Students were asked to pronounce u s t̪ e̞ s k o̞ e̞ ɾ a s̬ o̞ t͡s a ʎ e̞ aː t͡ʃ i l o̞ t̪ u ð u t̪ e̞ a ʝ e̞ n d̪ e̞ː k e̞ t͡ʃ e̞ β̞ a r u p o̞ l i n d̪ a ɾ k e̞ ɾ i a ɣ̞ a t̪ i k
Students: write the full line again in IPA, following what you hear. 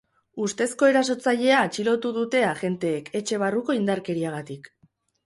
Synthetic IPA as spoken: u s t̪ e̞ s k o̞ e̞ ɾ a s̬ o̞ t͡s a ʎ e̞ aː t͡ʃ i l o̞ t̪ u ð u t̪ e̞ a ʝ e̞ n t̪ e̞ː k e̞ t͡ʃ e̞ β̞ a r u k o̞ i n d̪ a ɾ k e̞ ɾ i a ɣ̞ a t̪ i k

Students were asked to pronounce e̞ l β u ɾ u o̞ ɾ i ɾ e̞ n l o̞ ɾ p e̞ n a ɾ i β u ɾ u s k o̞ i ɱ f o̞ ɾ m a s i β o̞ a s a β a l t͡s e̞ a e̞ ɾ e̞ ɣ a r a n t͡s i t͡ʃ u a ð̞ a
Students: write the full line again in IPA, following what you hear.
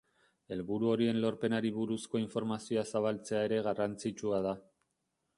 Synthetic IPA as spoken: e̞ l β u ɾ u o̞ ɾ i e̞ n l o̞ ɾ p e̞ n a ɾ i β u ɾ u s k o̞ i ɱ f o̞ ɾ m a s i o̞ a s a β a l t͡s e̞ a e̞ ɾ e̞ ɣ a r a n t͡s i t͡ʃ u a ð̞ a

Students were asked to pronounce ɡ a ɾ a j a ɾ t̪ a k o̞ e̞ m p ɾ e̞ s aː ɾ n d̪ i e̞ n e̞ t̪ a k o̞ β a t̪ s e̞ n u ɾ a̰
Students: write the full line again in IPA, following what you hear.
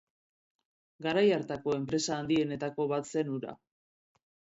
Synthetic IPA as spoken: ɡ a ɾ a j a ɾ t̪ a k o̞ e̞ m p ɾ e̞ s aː n d̪ i e̞ n e̞ t̪ a k o̞ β a t̪ s e̞ n u ɾ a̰

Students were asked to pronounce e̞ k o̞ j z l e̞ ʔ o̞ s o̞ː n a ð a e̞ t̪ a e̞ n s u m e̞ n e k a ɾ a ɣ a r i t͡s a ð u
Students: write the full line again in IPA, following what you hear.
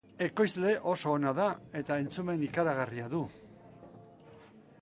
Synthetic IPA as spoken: e̞ k o̞ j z l e̞ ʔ o̞ s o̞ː n a ð a e̞ t̪ a e̞ n t͡s u m e̞ n i k a ɾ a ɣ a r i a ð u

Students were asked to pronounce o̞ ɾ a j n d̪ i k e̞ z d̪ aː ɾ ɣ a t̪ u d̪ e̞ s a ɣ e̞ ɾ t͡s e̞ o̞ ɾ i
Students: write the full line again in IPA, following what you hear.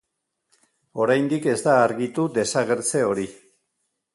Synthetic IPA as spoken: o̞ ɾ a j n d̪ i k e̞ z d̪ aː ɾ ɣ i t̪ u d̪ e̞ s a ɣ e̞ ɾ t͡s e̞ o̞ ɾ i

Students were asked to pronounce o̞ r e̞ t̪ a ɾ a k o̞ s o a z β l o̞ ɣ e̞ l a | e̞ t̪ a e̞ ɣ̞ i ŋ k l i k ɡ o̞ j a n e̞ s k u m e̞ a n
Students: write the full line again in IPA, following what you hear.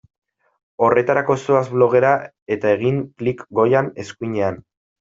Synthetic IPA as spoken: o̞ r e̞ t̪ a ɾ a k o̞ s o a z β l o̞ ɣ e̞ ɾ a | e̞ t̪ a e̞ ɣ̞ i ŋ k l i k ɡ o̞ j a n e̞ s k u ɲ e̞ a n

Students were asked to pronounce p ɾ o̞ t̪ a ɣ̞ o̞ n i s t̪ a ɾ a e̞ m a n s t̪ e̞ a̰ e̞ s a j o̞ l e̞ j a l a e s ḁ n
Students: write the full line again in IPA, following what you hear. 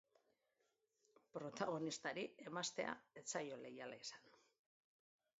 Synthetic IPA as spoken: p ɾ o̞ t̪ a ɣ̞ o̞ n i s t̪ a ɾ i e̞ m a s t̪ e̞ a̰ e̞ t͡s a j o̞ l e̞ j a l a i s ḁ n

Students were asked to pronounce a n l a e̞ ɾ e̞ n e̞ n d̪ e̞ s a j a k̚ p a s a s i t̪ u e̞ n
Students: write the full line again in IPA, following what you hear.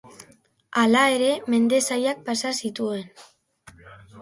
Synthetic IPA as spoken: a l a e̞ ɾ e̞ m e̞ n d̪ e̞ s a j a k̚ p a s a s i t̪ u e̞ n

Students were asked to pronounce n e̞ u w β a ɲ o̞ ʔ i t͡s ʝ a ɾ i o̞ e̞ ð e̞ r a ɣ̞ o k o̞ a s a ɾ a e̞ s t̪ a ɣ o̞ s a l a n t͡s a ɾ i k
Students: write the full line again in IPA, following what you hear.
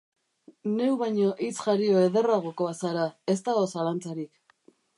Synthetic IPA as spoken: n e̞ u w β a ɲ o̞ ʔ i t͡s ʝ a ɾ i o̞ e̞ ð e̞ r a ɣ̞ o k o̞ a s a ɾ a e̞ s t̪ a ɣ o̞ s a l a n t͡s a ɾ i k

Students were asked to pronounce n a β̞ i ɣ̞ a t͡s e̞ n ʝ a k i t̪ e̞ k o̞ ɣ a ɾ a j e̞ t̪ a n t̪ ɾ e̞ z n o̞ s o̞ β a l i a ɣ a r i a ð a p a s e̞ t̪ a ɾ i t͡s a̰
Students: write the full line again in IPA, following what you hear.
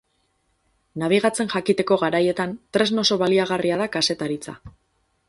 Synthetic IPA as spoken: n a β̞ i ɣ̞ a t͡s e̞ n ʝ a k i t̪ e̞ k o̞ ɣ a ɾ a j e̞ t̪ a n t̪ ɾ e̞ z n o̞ s o̞ β a l i a ɣ a r i a ð a k a s e̞ t̪ a ɾ i t͡s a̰

